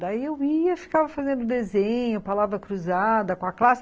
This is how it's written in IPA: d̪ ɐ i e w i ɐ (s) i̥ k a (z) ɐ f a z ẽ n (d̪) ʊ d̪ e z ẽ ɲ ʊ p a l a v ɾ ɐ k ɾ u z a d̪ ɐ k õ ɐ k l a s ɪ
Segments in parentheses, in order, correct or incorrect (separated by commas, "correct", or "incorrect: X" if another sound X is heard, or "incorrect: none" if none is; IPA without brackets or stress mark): incorrect: f, incorrect: v, correct